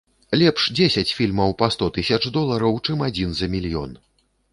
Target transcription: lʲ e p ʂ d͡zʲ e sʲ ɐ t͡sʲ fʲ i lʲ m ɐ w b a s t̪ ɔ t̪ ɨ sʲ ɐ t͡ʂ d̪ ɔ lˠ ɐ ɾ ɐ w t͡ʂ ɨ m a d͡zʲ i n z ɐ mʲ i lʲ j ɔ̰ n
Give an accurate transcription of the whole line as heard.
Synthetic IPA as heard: lʲ ɛ p ʂ d͡zʲ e sʲ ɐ t͡sʲ fʲ i lʲ m ɐ w p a s t̪ ɔ t̪ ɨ sʲ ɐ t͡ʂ d̪ ɔ lˠ ɐ ɾ ɐ w t͡ʂ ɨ m a d͡zʲ i n z ɐ mʲ i lʲ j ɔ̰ n